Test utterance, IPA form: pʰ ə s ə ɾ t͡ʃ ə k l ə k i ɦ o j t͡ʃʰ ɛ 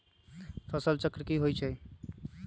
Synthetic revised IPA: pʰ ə s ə l t͡ʃ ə k ɾ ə k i ɦ o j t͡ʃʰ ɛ